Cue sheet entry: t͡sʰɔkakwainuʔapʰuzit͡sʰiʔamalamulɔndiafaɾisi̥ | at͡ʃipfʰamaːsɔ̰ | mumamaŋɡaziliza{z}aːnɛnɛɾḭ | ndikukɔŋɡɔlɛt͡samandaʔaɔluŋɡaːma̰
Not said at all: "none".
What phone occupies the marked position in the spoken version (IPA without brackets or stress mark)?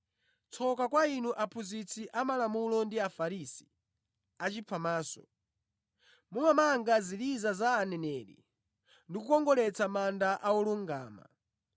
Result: z